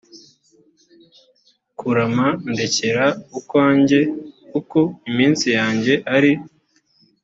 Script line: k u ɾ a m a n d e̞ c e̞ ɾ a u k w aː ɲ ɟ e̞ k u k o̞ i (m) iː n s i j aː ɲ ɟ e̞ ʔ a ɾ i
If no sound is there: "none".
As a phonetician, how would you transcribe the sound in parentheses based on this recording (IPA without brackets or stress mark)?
m